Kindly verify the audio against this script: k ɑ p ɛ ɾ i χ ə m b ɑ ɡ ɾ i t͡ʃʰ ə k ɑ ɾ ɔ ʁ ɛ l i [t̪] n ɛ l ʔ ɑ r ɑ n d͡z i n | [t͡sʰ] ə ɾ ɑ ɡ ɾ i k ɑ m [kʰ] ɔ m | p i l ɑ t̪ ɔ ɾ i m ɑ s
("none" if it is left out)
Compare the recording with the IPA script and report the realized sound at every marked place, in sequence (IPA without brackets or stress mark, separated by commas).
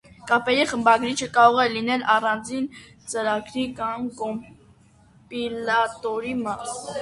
none, t͡s, k